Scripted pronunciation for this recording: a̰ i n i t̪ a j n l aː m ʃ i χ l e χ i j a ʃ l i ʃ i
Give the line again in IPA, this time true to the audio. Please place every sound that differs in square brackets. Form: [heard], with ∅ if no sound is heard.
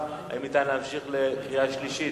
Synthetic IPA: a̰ i [m] i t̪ a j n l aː m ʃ i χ l e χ i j a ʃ l i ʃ i

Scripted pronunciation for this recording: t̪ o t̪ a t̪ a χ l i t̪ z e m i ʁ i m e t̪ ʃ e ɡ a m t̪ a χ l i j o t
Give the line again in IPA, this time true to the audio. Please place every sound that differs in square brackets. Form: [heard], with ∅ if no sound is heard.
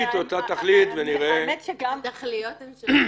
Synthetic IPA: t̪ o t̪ a t̪ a χ l i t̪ [v] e [n] i ʁ [e] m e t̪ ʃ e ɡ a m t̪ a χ l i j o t

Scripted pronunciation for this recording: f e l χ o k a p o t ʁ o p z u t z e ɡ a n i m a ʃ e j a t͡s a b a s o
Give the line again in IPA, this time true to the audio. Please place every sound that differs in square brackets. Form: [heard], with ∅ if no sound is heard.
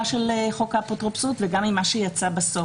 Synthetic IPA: [ʃ] e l χ o k a p o t ʁ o p [s] u t [v] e ɡ a [m] i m a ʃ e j a t͡s a b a s o

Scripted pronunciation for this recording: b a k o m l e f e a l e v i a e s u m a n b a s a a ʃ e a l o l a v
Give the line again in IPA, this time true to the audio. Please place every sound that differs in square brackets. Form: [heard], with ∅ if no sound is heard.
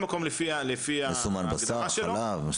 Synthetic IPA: [m] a k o m l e f [i] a l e [f] i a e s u m a n b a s a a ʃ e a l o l a v

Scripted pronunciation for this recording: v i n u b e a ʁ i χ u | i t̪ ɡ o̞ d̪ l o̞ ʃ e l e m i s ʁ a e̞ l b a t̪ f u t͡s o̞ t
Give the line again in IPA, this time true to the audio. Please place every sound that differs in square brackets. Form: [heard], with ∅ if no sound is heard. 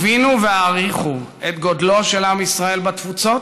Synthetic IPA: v i n u [v] e a ʁ i χ u | [e] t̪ ɡ o̞ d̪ l o̞ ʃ e l [a] m i s ʁ a e̞ l b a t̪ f u t͡s o̞ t

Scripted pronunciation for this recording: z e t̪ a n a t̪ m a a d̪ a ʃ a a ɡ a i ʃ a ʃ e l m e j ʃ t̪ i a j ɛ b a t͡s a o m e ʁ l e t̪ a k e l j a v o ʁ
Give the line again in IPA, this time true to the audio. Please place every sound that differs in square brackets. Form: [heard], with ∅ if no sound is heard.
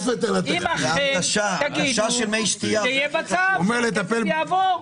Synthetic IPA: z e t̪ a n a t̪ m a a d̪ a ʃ a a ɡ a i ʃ a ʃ e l m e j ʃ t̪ i a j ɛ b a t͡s a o m e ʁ l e t̪ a [p] e l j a v o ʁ

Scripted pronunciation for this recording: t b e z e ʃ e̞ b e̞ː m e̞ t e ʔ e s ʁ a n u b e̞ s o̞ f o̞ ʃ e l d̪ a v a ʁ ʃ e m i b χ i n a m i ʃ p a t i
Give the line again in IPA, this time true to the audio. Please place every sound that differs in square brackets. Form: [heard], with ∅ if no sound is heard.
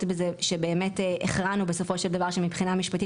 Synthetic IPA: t b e z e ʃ e̞ b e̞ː m e̞ t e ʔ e [χ] ʁ a n u b e̞ s o̞ f o̞ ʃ e l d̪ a v a ʁ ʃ e m i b χ i n a m i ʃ p a t i

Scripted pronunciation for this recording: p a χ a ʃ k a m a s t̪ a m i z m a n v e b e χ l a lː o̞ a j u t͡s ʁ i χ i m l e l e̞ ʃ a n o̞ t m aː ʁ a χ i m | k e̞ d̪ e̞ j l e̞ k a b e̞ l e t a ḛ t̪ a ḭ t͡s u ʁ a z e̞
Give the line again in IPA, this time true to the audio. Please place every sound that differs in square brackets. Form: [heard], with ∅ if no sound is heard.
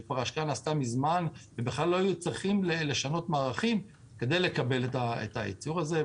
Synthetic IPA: p a [ʁ] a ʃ k a [n] a s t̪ a m i z m a n v e b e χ l a lː o̞ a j u t͡s ʁ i χ i m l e l e̞ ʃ a n o̞ t m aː ʁ a χ i m | k e̞ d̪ e̞ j l e̞ k a b e̞ l e t a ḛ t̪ a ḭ t͡s u ʁ a z e̞

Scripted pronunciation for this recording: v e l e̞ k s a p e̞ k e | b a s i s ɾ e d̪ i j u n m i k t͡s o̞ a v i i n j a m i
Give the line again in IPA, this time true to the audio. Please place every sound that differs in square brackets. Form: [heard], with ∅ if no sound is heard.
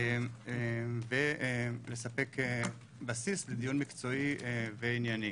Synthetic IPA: v e l e̞ [∅] s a p e̞ k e | b a s i s [l] e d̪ i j u n m i k t͡s o̞ [i] v [e] i n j a [n] i

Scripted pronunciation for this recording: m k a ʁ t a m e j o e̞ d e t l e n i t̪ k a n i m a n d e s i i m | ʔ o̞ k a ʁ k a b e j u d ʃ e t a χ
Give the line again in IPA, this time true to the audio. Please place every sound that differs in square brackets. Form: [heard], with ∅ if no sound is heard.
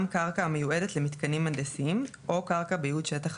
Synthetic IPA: m k a ʁ [k] a m e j [u] e̞ d e t l e [m] i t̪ k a n i m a n d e s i i m | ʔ o̞ k a ʁ k a b e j u d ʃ e t a χ

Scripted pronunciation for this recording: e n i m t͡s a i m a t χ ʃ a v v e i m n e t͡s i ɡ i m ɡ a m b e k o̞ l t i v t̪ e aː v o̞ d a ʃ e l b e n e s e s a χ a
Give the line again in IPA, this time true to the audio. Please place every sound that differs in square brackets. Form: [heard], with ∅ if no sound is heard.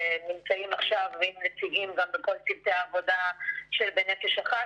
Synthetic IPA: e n i m t͡s a i m a [∅] χ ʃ a v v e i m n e t͡s i ɡ i m ɡ a m b e k o̞ l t i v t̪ e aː v o̞ d a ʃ e l b e n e [f] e [ʃ] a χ a

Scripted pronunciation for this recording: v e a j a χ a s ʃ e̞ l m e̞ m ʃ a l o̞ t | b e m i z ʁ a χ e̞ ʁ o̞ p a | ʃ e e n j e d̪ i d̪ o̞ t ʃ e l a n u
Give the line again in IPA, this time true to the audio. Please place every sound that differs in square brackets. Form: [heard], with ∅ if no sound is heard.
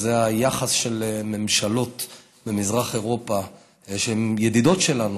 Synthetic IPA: [z] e a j a χ a s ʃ e̞ l m e̞ m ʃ a l o̞ t | b e m i z ʁ a χ e̞ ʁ o̞ p a | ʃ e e [m] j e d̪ i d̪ o̞ t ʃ e l a n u

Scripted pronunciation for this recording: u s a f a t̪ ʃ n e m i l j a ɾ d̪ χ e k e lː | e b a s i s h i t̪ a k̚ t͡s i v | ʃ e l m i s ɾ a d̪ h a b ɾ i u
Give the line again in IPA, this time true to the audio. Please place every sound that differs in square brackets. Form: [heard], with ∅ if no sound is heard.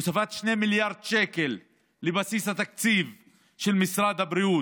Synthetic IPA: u s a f a t̪ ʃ n e m i l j a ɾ d̪ [ʃ] e k e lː | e b a s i s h [a] t̪ a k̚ t͡s i v | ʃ e l m i s ɾ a d̪ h a b ɾ i u

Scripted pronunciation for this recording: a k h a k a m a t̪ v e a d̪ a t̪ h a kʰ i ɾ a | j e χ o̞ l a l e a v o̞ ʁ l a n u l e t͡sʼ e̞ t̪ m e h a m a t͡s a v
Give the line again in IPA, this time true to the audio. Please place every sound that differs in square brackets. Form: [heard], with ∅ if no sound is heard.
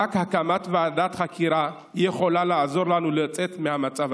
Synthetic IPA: a k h a k a m a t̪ v e a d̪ a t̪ [χ] a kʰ i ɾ a | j e χ o̞ l a l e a [z] o̞ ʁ l a n u l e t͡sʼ e̞ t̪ m e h a m a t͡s a v

